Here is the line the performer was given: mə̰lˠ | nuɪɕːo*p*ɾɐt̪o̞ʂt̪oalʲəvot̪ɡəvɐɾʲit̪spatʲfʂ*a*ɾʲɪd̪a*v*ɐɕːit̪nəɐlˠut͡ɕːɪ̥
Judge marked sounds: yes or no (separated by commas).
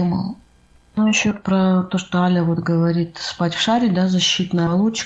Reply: yes, yes, no